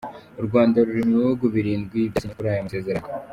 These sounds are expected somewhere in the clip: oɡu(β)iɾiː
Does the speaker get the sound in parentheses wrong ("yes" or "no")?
no